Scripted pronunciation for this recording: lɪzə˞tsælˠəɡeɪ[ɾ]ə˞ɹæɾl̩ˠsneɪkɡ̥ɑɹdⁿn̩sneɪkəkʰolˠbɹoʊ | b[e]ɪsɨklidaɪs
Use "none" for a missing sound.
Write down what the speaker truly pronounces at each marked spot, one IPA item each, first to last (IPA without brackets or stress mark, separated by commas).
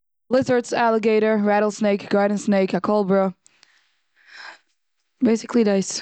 ɾ, e